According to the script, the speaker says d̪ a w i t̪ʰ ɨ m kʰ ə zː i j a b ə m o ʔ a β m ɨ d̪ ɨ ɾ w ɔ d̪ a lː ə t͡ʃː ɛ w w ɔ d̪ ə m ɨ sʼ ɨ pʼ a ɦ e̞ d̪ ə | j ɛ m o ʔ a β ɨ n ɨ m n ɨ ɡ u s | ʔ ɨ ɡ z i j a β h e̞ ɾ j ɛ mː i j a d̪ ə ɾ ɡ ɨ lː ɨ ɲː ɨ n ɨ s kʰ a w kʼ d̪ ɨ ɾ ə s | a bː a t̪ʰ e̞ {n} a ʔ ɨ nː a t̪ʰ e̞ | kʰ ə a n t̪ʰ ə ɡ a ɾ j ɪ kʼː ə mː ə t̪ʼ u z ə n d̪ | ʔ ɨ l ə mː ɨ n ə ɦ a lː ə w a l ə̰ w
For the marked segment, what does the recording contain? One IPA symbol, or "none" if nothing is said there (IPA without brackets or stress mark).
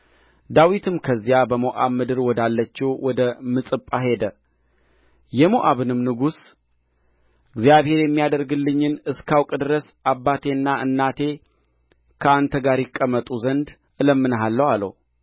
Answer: nː